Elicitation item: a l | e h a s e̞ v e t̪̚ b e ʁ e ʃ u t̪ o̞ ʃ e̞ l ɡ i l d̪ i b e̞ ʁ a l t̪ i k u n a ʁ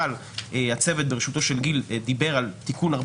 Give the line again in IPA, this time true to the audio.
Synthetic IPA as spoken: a l | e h a t͡s e̞ v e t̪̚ b e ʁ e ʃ u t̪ o̞ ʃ e̞ l ɡ i l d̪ i b e̞ ʁ a l t̪ i k u n a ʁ